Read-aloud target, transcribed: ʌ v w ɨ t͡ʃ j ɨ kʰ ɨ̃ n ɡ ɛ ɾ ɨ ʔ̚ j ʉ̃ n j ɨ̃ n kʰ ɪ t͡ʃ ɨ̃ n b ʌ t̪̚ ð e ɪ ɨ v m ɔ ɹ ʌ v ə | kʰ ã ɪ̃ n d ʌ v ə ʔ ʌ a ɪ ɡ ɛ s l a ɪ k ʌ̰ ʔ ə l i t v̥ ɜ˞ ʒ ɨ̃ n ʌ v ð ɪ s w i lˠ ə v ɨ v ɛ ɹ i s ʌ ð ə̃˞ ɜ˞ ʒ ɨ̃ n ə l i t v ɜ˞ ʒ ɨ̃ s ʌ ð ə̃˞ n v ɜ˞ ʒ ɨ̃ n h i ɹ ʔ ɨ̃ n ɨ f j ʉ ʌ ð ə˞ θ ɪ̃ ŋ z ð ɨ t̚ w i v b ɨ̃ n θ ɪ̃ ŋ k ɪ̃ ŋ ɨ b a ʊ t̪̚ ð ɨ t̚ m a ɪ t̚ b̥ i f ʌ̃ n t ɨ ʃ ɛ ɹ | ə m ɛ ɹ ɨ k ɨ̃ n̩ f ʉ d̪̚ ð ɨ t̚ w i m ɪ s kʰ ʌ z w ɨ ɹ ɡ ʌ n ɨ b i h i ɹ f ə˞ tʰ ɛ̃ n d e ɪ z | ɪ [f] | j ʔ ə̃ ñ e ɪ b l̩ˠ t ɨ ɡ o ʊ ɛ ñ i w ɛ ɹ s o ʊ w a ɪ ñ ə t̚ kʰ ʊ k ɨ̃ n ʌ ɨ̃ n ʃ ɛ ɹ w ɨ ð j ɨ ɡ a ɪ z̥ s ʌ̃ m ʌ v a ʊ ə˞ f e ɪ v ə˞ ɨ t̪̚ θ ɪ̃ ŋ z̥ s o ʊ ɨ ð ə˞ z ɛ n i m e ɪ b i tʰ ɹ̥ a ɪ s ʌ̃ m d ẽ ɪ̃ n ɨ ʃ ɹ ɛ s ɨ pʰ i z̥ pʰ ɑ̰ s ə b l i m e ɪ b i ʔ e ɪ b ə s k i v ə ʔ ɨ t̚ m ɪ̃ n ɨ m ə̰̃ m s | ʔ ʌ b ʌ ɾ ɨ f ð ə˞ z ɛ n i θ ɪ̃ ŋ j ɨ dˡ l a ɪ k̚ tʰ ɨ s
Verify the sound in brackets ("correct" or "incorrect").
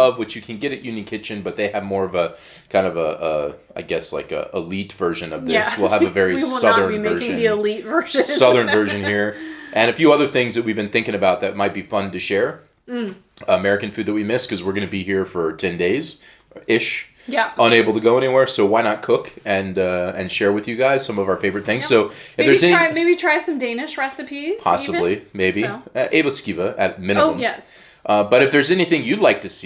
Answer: incorrect